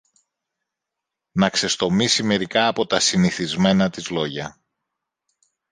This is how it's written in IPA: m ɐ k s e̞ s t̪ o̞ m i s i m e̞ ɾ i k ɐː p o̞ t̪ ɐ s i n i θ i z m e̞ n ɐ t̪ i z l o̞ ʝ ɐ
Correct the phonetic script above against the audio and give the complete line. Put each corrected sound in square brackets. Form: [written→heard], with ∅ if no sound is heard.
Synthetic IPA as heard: [m→n] ɐ k s e̞ s t̪ o̞ m i s i m e̞ ɾ i k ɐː p o̞ t̪ ɐ s i n i θ i z m e̞ n ɐ t̪ i z l o̞ ʝ ɐ